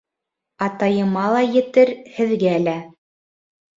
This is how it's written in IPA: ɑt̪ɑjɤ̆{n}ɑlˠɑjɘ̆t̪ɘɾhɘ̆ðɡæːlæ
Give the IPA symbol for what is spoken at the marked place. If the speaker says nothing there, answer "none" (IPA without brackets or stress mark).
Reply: m